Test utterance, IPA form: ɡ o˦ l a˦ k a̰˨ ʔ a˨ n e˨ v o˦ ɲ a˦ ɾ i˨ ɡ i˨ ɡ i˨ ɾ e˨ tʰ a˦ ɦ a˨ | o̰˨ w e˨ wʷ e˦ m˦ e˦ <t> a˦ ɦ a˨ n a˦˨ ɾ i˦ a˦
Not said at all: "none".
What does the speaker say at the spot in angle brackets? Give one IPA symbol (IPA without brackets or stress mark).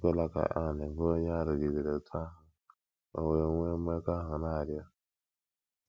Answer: k